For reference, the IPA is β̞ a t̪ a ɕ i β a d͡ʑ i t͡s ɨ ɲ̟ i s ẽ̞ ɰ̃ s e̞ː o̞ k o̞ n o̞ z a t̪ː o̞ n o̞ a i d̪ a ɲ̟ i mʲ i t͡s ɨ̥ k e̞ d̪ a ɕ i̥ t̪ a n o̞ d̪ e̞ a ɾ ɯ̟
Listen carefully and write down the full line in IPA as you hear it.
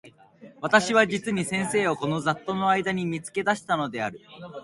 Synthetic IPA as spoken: β̞ a t̪ a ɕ i β a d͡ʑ i t͡s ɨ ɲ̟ i s ẽ̞ ɰ̃ s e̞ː o̞ k o̞ n o̞ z a t̪ː o̞ n o̞ a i d̪ a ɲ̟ i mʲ i t͡s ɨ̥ k e̞ d̪ a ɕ i̥ t̪ a n o̞ d̪ e̞ a ɾ ɯ̟